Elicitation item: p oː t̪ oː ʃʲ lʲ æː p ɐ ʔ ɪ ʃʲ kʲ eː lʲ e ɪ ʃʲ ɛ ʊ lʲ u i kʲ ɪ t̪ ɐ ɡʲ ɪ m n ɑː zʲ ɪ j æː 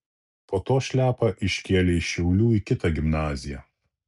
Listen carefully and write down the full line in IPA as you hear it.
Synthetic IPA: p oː t̪ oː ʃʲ lʲ æː p ɐ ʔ ɪ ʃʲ kʲ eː lʲ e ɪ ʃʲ ɛ ʊ lʲ uː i kʲ ɪ t̪ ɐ ɡʲ ɪ m n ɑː zʲ ɪ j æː